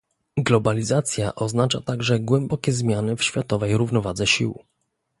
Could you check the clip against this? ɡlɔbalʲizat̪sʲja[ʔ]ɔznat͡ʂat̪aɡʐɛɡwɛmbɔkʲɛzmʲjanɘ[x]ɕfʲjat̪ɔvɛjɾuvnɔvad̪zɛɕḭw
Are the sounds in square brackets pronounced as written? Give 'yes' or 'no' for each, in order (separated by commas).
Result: yes, no